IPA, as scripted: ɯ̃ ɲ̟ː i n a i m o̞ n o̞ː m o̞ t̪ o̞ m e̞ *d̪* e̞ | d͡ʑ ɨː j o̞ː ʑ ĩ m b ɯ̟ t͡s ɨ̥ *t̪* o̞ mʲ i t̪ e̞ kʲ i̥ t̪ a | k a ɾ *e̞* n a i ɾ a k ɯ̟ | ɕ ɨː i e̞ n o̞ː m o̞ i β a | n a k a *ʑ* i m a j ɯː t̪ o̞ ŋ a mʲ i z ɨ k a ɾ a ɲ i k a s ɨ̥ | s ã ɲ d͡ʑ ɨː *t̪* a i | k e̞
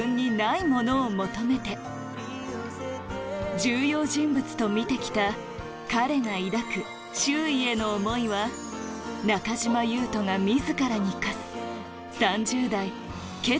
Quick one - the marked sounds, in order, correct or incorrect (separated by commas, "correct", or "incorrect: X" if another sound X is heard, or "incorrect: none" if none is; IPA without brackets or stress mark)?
incorrect: t̪, correct, correct, correct, incorrect: d̪